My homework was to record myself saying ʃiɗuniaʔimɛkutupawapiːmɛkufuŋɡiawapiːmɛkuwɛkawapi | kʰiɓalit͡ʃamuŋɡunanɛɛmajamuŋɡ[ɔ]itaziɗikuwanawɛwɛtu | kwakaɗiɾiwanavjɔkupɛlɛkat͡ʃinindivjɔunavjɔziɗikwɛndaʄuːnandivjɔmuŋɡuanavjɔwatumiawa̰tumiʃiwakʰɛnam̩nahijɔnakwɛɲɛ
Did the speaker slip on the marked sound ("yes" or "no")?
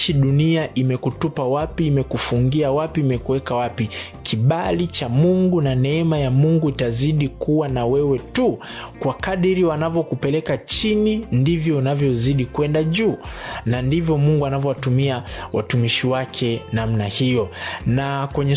yes